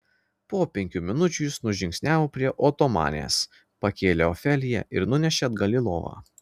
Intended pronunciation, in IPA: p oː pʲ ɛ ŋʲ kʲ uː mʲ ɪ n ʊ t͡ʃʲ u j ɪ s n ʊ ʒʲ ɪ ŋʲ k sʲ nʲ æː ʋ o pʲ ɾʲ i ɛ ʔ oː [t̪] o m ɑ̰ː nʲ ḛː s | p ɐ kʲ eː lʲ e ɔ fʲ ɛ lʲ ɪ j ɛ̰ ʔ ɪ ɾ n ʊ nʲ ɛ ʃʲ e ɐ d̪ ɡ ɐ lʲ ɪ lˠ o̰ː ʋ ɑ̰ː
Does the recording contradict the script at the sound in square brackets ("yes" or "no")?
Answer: no